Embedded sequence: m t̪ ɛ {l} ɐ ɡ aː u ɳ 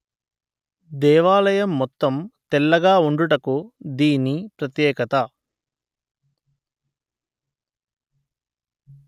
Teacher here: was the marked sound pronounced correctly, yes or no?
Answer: no